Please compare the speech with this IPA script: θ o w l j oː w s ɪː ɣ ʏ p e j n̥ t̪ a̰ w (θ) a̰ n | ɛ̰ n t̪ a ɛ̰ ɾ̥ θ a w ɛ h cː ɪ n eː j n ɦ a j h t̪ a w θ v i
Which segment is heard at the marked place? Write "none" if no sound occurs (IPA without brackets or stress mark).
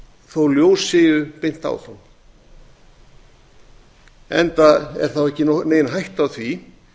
θ